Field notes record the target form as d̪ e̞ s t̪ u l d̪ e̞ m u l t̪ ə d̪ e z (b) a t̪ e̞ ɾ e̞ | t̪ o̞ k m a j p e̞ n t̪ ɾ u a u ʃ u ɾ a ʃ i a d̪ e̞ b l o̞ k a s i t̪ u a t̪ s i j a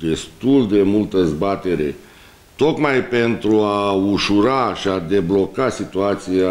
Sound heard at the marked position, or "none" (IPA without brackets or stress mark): b